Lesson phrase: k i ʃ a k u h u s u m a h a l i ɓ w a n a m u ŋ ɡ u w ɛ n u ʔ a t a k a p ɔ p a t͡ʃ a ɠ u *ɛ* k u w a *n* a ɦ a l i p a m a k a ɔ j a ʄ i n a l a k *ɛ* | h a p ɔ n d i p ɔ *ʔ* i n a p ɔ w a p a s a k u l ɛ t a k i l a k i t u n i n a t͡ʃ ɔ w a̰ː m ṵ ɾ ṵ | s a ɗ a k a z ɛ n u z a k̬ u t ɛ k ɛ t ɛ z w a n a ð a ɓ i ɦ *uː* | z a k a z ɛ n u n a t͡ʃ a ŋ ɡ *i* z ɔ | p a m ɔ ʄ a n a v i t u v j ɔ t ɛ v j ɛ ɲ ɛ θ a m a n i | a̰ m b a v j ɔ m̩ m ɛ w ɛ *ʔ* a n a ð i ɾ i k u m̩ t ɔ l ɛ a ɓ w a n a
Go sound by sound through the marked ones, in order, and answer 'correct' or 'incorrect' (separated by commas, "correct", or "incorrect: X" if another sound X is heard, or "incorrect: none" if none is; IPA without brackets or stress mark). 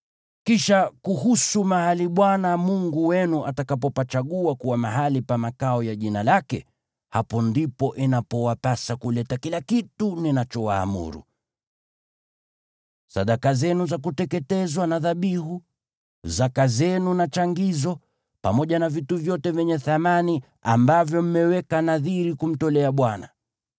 incorrect: a, incorrect: m, correct, correct, incorrect: u, correct, incorrect: k